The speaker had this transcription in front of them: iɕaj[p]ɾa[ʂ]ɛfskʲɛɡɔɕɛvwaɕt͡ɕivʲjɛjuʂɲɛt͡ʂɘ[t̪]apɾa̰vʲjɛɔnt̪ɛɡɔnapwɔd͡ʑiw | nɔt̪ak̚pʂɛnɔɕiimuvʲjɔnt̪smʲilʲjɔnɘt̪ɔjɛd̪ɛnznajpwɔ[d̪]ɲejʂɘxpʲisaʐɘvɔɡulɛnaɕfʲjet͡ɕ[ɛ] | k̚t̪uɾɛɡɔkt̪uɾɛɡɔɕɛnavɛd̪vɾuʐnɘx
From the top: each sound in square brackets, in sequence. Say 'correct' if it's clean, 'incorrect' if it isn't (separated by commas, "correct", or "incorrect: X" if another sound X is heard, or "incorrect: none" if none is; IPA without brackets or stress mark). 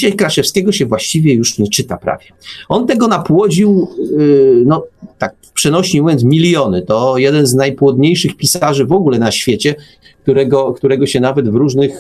incorrect: k, correct, correct, correct, correct